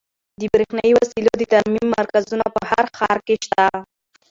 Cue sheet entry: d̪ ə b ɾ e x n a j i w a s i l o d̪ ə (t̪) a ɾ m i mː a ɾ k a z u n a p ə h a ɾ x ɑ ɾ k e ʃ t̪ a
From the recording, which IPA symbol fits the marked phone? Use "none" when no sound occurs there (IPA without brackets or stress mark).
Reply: t̪